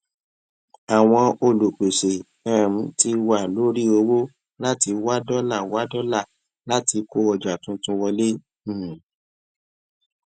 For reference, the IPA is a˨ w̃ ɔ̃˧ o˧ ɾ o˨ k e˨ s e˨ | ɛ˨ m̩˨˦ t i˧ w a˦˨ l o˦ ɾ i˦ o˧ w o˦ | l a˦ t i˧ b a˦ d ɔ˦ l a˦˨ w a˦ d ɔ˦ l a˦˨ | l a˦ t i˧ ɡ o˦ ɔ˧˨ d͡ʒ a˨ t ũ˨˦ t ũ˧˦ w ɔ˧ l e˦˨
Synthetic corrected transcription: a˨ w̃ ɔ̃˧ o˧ l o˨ k͡p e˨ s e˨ | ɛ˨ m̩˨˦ t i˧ w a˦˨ l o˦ ɾ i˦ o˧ w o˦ | l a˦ t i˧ w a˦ d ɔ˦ l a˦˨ w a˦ d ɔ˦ l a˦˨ | l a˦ t i˧ k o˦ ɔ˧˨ d͡ʒ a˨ t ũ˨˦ t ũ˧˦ w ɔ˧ l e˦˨